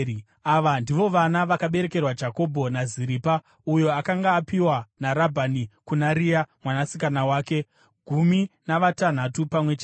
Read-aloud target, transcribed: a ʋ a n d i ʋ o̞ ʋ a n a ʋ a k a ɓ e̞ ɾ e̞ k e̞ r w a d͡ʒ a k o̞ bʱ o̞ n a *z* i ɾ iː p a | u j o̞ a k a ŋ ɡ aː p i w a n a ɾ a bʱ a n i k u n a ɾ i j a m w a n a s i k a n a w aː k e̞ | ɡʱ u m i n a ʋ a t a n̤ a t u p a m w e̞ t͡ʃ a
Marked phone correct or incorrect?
correct